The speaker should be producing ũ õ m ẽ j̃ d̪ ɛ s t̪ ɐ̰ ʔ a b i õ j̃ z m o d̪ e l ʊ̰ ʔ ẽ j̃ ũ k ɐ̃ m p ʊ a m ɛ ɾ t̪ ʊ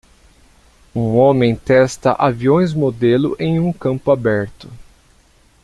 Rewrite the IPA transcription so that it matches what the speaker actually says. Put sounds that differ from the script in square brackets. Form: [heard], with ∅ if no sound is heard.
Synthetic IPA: ũ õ m ẽ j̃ [t̪] ɛ s t̪ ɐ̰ ʔ a [v] i õ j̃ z m o d̪ e l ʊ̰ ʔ ẽ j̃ ũ k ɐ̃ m p ʊ a [b] ɛ ɾ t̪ ʊ